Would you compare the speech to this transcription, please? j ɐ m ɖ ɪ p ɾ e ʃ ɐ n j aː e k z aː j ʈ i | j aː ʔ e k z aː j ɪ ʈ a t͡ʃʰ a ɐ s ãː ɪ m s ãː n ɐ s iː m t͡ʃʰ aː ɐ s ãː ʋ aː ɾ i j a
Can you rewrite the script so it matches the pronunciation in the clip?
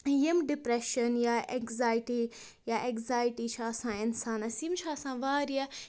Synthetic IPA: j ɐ m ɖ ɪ p ɾ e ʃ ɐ n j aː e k z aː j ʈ i | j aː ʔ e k z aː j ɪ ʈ i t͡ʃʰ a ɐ s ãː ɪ n s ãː n ɐ s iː m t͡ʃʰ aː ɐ s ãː ʋ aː ɾ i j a